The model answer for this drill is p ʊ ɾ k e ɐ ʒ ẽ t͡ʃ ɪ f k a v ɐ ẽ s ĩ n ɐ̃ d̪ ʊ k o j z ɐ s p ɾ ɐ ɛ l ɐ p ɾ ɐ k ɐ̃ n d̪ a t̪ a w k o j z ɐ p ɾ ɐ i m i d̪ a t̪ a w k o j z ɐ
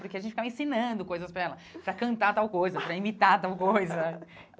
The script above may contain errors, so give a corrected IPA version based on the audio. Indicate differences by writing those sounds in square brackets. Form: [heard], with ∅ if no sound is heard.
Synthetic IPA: p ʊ ɾ k e ɐ ʒ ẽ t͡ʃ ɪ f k a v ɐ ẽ s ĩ n ɐ̃ d̪ ʊ k o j z ɐ s p ɾ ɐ ɛ l ɐ p ɾ ɐ k ɐ̃ n [t̪] a t̪ a w k o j z ɐ p ɾ ɐ i m i [t̪] a t̪ a w k o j z ɐ